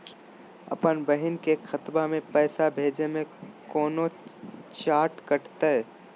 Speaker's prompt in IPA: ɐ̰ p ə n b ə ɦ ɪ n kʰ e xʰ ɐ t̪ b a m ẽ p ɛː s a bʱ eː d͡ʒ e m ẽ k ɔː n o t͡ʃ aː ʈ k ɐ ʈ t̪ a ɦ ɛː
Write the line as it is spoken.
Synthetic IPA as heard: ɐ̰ p ə n b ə ɦ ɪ n k e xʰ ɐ t̪ b a m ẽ p ɛː s a bʱ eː d͡ʒ e m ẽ k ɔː n o t͡ʃ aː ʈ k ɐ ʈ t̪ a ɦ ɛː